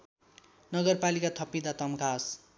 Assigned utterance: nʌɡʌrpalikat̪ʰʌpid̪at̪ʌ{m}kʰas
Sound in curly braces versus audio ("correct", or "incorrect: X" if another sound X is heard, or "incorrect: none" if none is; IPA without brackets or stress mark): correct